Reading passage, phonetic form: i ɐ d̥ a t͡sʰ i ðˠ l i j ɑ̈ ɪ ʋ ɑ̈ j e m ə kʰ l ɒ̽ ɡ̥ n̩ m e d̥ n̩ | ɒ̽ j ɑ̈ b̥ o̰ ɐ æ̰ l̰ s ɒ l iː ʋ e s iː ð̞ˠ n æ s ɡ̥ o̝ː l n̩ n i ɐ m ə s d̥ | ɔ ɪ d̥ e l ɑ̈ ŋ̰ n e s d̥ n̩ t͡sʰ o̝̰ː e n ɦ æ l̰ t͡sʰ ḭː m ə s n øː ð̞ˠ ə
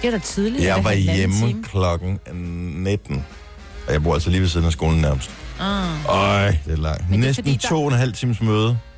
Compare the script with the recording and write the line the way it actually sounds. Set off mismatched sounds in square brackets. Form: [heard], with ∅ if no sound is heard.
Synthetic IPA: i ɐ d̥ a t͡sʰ i ðˠ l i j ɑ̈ ɪ ʋ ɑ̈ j e m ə kʰ l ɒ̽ ɡ̥ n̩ [n] e d̥ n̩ | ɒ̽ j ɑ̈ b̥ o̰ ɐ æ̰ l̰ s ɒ l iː ʋ e s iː ð̞ˠ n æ s ɡ̥ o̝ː l n̩ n [æ] ɐ m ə s d̥ | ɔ ɪ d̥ e l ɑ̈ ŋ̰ n e s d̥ n̩ t͡sʰ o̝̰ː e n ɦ æ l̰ t͡sʰ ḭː m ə s [m] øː ð̞ˠ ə